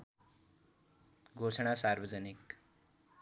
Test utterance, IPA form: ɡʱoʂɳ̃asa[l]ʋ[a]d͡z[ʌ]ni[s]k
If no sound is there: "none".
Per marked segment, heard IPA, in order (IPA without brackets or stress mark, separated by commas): ɾ, ə, ə, none